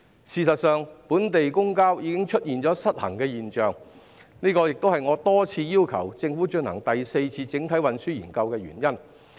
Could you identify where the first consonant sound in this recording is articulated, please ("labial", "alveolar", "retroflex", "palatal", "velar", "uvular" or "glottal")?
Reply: alveolar